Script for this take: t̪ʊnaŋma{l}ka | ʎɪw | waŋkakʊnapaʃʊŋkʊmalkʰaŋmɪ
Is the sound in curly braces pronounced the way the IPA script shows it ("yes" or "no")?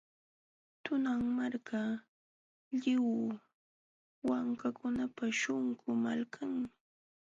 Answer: no